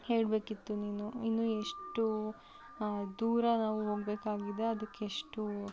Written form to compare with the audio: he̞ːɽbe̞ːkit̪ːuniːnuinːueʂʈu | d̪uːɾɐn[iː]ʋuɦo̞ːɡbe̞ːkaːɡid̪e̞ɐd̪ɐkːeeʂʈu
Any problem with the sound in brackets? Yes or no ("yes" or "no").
yes